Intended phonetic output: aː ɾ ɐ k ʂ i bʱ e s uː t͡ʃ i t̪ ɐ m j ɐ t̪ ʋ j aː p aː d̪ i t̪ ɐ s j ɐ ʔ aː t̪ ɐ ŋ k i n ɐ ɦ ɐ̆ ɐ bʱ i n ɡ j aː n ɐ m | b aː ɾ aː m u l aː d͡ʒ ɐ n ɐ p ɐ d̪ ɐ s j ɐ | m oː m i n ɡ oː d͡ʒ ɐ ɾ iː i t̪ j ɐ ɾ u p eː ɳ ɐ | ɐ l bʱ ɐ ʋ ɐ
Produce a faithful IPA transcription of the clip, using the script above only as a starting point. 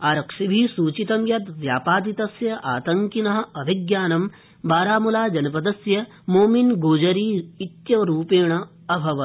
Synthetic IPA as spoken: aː ɾ ɐ k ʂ i bʱ i s uː t͡ʃ i t̪ ɐ m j ɐ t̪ ʋ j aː p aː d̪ i t̪ ɐ s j ɐ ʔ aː t̪ ɐ ŋ k i n ɐ ɦ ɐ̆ ɐ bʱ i ɡ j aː n ɐ m | b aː ɾ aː m u l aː d͡ʒ ɐ n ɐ p ɐ d̪ ɐ s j ɐ | m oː m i n ɡ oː d͡ʒ ɐ ɾ iː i t̪ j ɐ ɾ uː p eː ɳ ɐ | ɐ bʱ ɐ ʋ ɐ